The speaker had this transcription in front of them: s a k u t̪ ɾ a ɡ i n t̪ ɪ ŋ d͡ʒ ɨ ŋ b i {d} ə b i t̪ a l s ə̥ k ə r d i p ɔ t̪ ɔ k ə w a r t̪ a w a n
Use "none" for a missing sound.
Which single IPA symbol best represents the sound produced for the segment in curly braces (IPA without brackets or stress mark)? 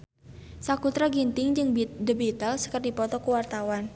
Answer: d